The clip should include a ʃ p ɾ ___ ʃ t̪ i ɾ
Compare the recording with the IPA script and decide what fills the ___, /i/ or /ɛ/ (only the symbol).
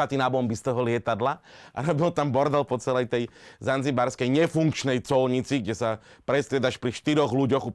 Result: i